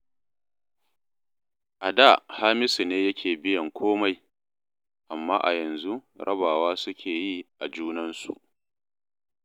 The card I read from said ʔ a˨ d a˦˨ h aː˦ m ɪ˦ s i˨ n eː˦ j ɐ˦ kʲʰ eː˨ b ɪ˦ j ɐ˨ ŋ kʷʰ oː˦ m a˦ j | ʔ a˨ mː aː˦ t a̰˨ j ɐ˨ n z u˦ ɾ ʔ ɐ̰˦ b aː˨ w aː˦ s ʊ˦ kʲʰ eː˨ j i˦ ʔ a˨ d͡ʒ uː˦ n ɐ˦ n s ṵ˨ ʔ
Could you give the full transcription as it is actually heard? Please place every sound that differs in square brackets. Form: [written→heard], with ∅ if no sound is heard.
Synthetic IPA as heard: ʔ a˨ d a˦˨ h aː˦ m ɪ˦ s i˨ n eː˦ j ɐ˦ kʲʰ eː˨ b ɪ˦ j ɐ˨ ŋ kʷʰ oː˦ m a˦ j | ʔ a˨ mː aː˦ [t→ʔ] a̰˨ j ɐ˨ n z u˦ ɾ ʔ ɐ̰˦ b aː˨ w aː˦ s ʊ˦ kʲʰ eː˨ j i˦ ʔ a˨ d͡ʒ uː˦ n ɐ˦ n s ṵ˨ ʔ